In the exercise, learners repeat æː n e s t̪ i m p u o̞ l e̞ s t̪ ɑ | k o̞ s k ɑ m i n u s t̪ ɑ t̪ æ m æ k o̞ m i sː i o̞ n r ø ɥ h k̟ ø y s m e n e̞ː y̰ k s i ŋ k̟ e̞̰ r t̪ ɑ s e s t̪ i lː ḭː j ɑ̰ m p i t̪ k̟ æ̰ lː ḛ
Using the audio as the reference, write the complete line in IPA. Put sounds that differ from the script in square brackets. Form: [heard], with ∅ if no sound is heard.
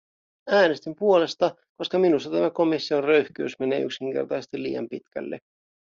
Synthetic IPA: æː n e s t̪ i m p u o̞ l e̞ s t̪ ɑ | k o̞ s k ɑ m i n u s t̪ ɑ t̪ æ m æ k o̞ m i sː i o̞ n r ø ɥ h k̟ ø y s m e n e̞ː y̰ k s i ŋ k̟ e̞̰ r t̪ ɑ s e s t̪ i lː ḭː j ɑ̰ m p i t̪ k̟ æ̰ lː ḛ

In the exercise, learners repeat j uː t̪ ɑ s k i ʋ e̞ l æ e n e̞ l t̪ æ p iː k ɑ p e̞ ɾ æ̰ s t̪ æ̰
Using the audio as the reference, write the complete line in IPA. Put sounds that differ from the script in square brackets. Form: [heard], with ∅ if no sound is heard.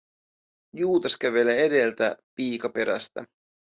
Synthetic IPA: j uː t̪ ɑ s k [æ] ʋ e̞ l [e] e [d] e̞ l t̪ æ p iː k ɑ p e̞ ɾ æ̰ s t̪ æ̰

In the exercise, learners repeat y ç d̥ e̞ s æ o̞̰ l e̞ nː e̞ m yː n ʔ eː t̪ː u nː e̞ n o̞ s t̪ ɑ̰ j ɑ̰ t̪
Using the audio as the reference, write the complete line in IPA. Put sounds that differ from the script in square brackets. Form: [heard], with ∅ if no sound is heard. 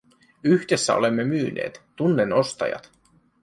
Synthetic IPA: y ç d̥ e̞ [sː] æ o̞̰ l e̞ [mː] e̞ m yː n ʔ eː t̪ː u nː e̞ n o̞ s t̪ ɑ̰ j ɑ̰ t̪

